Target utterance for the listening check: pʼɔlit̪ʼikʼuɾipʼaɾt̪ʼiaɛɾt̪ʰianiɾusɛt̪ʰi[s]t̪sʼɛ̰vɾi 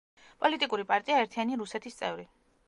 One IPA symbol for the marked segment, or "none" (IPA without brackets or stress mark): s